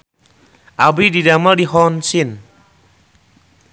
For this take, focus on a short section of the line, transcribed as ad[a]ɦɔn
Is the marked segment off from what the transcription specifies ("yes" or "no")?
yes